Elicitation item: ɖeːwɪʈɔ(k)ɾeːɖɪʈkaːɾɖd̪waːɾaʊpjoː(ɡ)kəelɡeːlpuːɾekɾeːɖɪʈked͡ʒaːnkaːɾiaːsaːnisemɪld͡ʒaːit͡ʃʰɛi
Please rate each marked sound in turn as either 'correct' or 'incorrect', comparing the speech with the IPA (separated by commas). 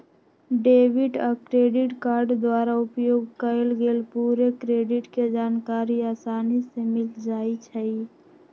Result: correct, correct